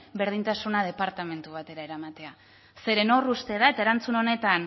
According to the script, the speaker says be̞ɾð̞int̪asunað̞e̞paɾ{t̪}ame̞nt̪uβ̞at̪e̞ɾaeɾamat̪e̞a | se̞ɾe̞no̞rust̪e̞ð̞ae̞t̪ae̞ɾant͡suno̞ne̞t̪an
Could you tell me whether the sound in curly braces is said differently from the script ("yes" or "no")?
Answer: no